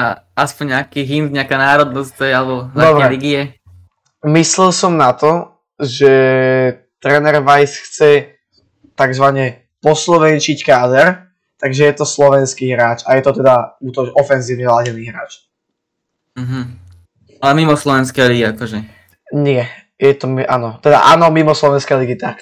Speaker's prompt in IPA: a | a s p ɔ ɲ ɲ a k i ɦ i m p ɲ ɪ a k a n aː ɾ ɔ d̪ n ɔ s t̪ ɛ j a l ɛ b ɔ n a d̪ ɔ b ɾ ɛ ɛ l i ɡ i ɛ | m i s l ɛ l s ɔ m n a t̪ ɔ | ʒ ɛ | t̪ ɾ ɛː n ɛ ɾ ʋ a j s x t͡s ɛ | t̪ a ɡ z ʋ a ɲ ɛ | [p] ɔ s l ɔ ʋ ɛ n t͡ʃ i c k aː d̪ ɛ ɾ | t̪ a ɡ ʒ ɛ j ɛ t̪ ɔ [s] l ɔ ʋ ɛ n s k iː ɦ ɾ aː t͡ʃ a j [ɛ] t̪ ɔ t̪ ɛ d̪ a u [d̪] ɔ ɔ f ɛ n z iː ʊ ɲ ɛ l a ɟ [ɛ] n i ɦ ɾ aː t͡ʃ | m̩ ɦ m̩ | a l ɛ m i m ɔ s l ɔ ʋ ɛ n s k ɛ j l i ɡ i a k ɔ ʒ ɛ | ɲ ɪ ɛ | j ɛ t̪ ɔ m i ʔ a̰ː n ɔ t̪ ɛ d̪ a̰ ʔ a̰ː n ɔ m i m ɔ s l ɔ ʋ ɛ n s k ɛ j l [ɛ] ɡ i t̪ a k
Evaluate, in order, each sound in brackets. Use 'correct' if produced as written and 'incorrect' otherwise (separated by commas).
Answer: correct, correct, correct, incorrect, correct, incorrect